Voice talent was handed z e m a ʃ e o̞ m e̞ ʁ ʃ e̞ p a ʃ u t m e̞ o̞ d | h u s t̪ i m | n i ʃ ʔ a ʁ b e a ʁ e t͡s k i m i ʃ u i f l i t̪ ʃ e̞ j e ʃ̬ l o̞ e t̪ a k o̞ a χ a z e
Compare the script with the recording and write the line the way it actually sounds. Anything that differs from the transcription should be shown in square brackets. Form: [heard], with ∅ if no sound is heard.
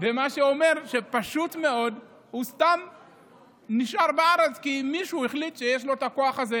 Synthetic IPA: [v] e m a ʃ e o̞ m e̞ ʁ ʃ e̞ p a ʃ u t m e̞ o̞ d | h u s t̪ [a] m | n i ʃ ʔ a ʁ b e a ʁ e t͡s k i m i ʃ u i [χ] l i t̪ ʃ e̞ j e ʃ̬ l o̞ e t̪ a k o̞ a χ a z e